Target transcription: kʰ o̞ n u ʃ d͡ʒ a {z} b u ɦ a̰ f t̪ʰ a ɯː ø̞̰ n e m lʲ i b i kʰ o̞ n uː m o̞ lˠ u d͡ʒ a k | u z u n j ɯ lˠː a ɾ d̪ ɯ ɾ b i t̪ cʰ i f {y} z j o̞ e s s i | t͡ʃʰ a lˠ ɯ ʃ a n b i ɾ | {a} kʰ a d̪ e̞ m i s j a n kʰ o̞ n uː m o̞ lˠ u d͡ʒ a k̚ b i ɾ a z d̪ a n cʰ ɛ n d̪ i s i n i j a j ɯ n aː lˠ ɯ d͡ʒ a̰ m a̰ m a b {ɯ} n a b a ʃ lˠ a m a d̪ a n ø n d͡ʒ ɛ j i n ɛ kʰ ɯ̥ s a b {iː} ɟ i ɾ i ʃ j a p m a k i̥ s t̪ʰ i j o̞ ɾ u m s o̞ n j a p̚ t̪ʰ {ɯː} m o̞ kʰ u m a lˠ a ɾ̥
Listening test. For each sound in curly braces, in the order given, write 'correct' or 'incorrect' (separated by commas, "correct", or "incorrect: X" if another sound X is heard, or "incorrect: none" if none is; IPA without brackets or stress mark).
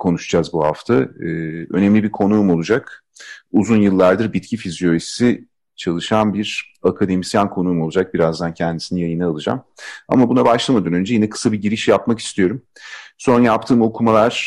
correct, incorrect: i, correct, incorrect: u, incorrect: i, correct